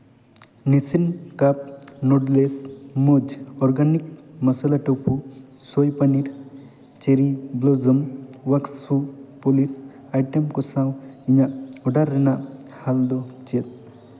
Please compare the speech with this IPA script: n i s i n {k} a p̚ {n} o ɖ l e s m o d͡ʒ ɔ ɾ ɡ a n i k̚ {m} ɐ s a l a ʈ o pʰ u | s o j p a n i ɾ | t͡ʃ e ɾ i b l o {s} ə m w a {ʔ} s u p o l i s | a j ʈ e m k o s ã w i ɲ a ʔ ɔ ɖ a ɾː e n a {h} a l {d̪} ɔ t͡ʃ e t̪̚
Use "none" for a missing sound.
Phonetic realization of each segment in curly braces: k, n, m, z, k, h, d̪

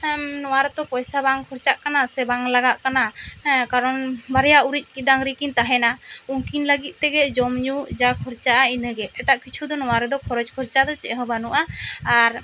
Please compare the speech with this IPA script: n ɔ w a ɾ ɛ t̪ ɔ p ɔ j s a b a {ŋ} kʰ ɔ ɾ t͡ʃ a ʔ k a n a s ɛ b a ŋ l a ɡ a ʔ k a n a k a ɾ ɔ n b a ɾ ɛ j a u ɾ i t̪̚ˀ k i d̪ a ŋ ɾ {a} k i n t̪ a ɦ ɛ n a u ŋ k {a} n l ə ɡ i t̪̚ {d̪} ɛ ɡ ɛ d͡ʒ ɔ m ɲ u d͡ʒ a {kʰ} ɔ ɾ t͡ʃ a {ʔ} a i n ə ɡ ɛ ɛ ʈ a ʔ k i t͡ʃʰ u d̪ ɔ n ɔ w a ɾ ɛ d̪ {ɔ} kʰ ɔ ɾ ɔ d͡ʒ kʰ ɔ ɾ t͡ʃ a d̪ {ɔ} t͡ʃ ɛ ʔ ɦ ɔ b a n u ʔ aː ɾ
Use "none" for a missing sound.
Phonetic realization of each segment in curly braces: ŋ, i, i, t̪, kʰ, ʔ, ɔ, ɔ

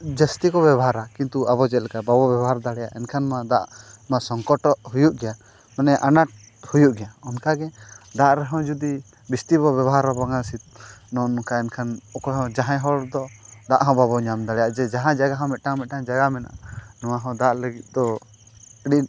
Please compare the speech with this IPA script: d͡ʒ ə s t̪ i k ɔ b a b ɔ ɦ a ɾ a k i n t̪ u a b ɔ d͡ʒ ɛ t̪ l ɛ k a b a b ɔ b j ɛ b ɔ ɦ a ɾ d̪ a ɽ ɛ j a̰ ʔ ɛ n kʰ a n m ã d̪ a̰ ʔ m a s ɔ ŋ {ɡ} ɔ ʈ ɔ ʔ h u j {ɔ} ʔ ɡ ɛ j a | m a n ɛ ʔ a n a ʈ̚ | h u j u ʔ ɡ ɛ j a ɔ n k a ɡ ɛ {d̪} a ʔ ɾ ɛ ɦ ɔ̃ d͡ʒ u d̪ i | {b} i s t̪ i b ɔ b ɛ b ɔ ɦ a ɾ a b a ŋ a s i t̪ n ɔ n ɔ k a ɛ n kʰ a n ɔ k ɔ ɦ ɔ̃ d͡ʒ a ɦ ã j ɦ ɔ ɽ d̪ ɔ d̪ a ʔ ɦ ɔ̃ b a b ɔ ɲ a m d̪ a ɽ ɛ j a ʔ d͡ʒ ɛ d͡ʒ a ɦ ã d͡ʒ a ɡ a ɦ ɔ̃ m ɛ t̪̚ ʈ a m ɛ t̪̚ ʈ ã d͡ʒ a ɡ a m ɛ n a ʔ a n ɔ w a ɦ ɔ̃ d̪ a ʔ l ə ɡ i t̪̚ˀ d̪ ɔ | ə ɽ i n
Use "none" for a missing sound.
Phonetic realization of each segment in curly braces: k, u, d̪, b

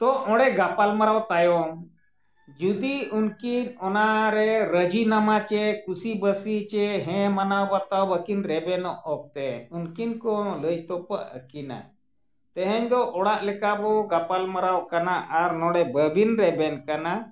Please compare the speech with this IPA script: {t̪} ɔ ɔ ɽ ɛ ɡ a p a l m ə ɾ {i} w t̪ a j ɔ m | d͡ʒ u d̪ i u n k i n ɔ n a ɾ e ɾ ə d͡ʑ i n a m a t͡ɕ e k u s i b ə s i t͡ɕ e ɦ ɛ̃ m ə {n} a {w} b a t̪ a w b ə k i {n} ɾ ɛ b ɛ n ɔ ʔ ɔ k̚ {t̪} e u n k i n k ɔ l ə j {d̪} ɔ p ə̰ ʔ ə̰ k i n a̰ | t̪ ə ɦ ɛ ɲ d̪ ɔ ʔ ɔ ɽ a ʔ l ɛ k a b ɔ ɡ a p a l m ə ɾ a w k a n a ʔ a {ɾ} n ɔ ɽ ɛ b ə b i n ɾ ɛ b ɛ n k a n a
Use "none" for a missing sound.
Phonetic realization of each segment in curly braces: t̪, a, n, w, n, t̪, t̪, ɾ

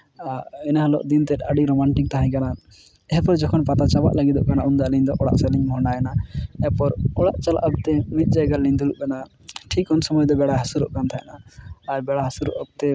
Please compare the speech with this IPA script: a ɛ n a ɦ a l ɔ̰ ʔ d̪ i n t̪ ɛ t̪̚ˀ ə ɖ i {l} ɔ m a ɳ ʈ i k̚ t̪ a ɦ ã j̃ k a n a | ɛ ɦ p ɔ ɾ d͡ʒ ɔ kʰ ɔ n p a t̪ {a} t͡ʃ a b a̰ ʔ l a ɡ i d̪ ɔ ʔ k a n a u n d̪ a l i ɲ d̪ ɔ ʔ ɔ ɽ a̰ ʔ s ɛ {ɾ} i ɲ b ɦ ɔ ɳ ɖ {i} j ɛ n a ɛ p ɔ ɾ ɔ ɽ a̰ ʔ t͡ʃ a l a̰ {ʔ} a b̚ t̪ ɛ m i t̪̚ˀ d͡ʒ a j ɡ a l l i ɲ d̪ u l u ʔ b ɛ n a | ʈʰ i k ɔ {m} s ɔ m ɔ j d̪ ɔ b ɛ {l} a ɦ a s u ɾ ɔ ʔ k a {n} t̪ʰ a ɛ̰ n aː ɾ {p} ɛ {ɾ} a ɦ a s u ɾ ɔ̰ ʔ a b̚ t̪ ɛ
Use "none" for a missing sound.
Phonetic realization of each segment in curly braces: ɾ, a, l, a, ʔ, n, ɽ, n, b, ɽ

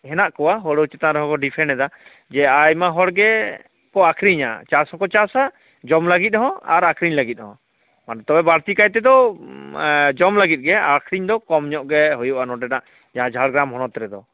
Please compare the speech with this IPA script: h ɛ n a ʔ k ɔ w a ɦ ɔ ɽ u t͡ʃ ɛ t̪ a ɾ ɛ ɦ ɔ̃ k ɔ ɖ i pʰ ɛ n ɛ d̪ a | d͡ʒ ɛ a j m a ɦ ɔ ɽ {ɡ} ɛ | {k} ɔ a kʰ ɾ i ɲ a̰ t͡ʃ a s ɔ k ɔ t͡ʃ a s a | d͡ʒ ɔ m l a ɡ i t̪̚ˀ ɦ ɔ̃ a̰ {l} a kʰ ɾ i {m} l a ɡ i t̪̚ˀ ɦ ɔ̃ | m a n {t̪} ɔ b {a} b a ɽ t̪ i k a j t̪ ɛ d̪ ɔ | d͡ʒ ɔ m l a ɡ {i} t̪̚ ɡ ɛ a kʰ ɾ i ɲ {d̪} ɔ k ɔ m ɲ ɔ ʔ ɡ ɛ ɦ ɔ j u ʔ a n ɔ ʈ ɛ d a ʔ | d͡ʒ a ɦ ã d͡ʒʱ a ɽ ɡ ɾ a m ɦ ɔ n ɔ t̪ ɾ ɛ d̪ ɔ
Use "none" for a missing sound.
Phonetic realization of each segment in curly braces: ɡ, k, ɾ, ɲ, t̪, ɛ, i, d̪

